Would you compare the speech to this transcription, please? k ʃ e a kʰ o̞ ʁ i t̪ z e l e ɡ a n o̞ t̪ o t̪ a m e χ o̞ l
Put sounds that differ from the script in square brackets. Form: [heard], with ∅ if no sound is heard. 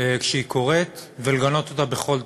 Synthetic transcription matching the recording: k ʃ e [i] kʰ o̞ ʁ [e] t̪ [v] e l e ɡ a n o̞ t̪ o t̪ a [b] e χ o̞ l